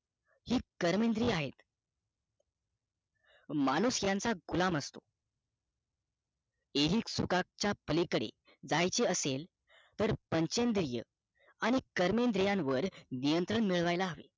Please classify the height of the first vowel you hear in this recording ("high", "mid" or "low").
high